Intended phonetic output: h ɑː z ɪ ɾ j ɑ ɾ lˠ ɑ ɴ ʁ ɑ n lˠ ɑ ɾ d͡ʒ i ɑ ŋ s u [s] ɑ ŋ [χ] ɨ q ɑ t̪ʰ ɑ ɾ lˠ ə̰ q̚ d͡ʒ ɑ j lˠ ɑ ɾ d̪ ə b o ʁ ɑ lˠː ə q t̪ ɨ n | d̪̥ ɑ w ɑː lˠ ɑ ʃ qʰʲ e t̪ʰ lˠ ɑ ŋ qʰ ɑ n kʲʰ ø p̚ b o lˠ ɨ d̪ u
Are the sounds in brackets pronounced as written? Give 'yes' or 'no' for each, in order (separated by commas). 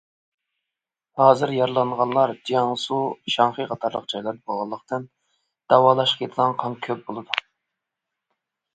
no, yes